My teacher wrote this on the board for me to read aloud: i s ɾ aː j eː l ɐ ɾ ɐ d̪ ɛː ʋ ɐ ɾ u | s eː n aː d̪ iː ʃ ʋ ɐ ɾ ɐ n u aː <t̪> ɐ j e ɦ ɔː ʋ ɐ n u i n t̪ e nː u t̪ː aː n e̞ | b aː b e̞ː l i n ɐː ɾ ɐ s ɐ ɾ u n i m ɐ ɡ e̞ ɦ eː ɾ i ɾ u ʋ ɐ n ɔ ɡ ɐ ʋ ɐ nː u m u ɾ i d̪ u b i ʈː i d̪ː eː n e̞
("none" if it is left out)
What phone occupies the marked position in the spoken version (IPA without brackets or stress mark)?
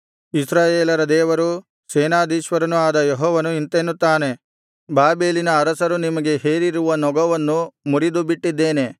d̪